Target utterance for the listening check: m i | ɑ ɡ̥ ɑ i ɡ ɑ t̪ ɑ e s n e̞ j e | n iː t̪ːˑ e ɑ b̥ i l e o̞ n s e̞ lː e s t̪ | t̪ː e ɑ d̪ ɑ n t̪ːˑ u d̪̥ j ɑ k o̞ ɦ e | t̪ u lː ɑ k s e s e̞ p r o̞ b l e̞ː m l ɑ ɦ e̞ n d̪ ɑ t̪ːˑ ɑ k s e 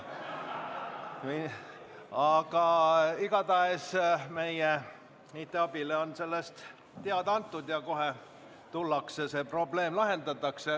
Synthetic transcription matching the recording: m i | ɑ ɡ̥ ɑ i ɡ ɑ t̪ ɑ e s m e̞ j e | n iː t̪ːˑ e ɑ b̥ i l e o̞ n s e̞ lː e s t̪ | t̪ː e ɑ d̪ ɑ n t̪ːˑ u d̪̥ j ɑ k o̞ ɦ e | t̪ u lː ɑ k s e s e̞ p r o̞ b l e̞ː m l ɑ ɦ e̞ n d̪ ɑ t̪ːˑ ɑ k s e